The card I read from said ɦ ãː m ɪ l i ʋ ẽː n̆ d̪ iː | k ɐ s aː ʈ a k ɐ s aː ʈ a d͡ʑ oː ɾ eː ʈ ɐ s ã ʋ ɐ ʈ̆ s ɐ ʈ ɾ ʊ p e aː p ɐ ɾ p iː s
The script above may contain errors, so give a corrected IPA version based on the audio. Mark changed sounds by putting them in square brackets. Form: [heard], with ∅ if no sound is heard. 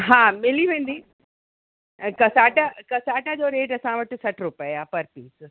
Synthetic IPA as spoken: ɦ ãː m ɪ l i ʋ ẽː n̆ d̪ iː | k ɐ s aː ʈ a k ɐ s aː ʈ a d͡ʑ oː ɾ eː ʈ ɐ s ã ʋ ɐ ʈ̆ s ɐ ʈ ɾ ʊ p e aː p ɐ ɾ p iː s

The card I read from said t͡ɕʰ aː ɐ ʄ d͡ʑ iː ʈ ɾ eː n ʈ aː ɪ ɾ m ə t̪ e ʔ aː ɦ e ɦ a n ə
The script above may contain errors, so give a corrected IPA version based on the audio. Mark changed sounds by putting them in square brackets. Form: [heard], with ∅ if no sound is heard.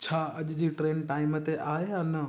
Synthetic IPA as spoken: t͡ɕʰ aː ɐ ʄ d͡ʑ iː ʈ ɾ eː n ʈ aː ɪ [∅] m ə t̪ e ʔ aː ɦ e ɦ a n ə

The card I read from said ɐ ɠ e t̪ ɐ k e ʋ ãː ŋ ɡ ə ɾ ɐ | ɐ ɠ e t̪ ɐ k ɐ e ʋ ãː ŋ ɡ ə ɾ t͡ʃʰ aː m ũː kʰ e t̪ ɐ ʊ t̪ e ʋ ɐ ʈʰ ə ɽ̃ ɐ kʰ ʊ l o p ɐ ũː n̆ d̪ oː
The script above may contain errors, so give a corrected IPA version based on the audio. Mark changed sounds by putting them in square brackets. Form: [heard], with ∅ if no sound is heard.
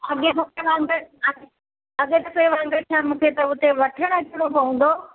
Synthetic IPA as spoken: ɐ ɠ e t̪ ɐ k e ʋ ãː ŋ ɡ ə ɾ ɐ | ɐ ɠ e t̪ ɐ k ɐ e ʋ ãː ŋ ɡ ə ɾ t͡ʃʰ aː m ũː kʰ e t̪ ɐ ʊ t̪ e ʋ ɐ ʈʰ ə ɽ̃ ɐ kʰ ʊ [ɽ] o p ɐ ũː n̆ d̪ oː

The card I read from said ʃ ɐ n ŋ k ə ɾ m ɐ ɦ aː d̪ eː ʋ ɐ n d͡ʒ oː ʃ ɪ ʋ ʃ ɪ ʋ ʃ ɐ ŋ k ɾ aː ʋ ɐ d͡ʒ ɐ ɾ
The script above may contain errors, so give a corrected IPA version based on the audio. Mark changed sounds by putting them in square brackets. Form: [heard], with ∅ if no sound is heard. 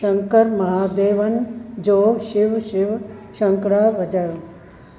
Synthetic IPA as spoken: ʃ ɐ [∅] ŋ k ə ɾ m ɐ ɦ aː d̪ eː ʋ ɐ n d͡ʒ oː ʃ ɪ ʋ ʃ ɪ ʋ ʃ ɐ ŋ k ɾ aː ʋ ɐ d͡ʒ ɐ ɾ

